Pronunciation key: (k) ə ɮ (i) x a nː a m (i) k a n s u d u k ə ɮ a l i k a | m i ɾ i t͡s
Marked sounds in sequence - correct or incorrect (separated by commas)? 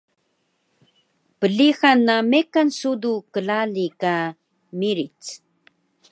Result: incorrect, correct, incorrect